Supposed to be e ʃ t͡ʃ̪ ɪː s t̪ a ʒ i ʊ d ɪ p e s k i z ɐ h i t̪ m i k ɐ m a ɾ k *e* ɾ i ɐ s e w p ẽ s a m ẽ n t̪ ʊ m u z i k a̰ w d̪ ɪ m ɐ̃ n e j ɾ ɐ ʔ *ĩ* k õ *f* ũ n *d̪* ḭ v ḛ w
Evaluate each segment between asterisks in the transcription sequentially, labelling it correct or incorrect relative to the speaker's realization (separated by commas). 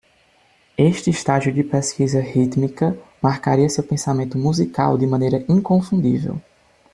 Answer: incorrect, correct, correct, correct